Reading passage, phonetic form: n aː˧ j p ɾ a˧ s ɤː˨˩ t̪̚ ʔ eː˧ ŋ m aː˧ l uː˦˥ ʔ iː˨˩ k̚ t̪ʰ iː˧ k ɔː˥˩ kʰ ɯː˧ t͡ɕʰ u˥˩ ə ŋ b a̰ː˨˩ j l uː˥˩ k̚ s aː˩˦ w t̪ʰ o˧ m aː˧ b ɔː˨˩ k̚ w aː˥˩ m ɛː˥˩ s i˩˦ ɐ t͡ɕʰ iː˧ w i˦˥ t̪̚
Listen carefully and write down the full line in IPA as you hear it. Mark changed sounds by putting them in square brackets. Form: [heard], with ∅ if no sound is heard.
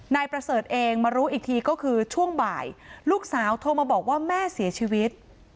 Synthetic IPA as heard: n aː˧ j p ɾ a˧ s ɤː˨˩ t̪̚ ʔ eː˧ ŋ m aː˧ [ɾ] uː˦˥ ʔ iː˨˩ k̚ t̪ʰ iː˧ k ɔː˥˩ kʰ ɯː˧ t͡ɕʰ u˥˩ ə ŋ b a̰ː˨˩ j l uː˥˩ k̚ s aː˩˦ w t̪ʰ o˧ m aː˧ b ɔː˨˩ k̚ w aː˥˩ m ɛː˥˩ s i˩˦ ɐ t͡ɕʰ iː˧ w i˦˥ t̪̚